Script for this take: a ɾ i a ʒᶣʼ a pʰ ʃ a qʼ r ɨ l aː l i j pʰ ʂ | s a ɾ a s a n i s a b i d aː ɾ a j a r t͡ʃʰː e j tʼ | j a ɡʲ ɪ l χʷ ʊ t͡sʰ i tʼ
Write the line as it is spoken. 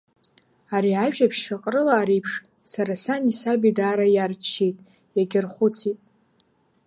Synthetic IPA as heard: a ɾ i a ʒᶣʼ a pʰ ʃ a qʼ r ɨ l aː ɾ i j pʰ ʂ | s a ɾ a s a n i s a b i d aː ɾ a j a r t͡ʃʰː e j tʼ | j a ɡʲ ɪ r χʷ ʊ t͡sʰ i tʼ